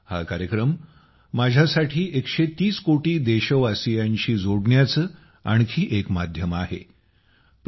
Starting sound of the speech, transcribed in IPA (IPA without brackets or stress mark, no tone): h